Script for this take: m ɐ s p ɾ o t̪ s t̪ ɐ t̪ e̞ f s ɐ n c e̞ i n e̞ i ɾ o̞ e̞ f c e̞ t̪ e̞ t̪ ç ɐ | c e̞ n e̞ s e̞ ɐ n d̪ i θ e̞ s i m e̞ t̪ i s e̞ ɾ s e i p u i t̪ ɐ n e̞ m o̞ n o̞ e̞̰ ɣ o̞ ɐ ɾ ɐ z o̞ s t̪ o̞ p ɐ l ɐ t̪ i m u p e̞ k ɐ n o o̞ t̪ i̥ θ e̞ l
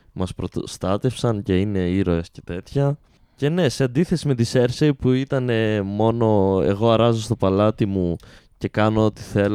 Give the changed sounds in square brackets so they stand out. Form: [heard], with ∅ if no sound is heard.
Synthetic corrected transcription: m ɐ s p ɾ o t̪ s t̪ ɐ t̪ e̞ f s ɐ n c e̞ i n e̞ i ɾ o̞ e̞ [s] c e̞ t̪ e̞ t̪ ç ɐ | c e̞ n e̞ s e̞ ɐ n d̪ i θ e̞ s i m e̞ t̪ i s e̞ ɾ s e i p u i t̪ ɐ n e̞ m o̞ n o̞ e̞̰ ɣ o̞ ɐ ɾ ɐ z o̞ s t̪ o̞ p ɐ l ɐ t̪ i m u [c] e̞ k ɐ n o o̞ t̪ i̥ θ e̞ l